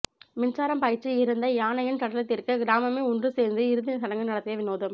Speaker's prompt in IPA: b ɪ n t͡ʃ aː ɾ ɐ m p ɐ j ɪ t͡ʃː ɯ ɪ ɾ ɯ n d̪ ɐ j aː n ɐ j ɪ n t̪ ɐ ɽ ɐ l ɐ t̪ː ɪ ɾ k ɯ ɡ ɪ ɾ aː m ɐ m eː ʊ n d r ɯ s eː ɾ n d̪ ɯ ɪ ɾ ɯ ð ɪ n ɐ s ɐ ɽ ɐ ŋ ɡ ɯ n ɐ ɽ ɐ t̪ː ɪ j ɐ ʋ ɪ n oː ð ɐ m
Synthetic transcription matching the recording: m ɪ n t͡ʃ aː ɾ ɐ m p ɐ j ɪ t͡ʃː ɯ ɪ ɾ ɯ n d̪ ɐ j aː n ɐ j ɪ n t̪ ɐ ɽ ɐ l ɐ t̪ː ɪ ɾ k ɯ ɡ ɪ ɾ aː m ɐ m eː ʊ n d r ɯ s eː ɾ n d̪ ɯ ɪ ɾ ɯ ð ɪ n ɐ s ɐ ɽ ɐ ŋ ɡ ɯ n ɐ ɽ ɐ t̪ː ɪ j ɐ ʋ ɪ n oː ð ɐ m